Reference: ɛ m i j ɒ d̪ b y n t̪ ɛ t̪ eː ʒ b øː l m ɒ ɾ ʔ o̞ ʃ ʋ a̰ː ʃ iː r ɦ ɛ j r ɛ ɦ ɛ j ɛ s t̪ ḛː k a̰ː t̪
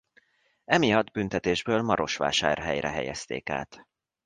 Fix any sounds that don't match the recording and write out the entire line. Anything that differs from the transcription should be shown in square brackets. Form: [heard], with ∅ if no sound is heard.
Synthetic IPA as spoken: ɛ m i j ɒ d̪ b y n t̪ ɛ t̪ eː ʒ b øː l m ɒ ɾ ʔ o̞ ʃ ʋ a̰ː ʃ [aː] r ɦ ɛ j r ɛ ɦ ɛ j ɛ s t̪ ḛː k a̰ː t̪